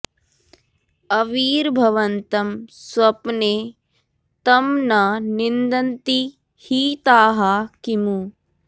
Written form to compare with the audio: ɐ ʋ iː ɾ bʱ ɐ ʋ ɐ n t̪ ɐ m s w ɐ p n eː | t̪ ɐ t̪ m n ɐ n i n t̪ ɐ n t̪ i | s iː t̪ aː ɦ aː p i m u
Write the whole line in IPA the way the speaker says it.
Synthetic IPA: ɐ ʋ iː ɾ bʱ ɐ ʋ ɐ n t̪ ɐ m s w ɐ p n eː | t̪ ɐ m n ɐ n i n d̪ ɐ n t̪ i | h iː t̪ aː ɦ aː k i m u